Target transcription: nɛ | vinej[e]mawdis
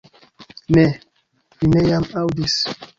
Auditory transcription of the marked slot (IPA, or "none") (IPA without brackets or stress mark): a